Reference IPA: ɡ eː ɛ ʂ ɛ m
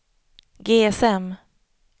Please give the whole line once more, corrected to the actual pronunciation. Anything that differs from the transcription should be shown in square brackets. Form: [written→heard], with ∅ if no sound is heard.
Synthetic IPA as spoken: ɡ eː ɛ [ʂ→s] ɛ m